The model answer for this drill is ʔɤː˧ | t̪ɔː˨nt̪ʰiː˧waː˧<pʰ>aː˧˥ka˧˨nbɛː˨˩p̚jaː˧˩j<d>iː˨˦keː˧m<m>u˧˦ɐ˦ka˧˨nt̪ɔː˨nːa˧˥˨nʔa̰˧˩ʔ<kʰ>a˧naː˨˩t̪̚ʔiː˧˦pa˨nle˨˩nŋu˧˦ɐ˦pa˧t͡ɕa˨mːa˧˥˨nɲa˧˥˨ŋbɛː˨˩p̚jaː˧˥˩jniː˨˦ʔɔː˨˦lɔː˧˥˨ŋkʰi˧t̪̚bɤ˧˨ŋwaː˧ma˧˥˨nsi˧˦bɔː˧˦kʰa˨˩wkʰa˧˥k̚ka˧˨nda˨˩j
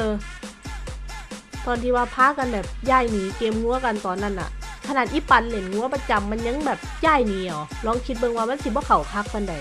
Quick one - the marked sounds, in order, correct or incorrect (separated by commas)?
correct, incorrect, incorrect, correct